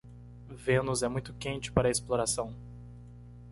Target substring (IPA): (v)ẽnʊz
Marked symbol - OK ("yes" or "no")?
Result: yes